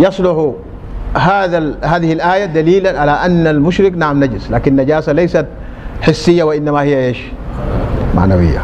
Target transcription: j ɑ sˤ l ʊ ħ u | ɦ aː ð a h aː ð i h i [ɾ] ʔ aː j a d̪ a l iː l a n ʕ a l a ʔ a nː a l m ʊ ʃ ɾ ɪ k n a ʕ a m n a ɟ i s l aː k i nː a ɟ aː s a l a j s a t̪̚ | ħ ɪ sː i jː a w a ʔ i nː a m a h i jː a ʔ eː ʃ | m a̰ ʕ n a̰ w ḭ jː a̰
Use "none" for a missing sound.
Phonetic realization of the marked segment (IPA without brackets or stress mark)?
l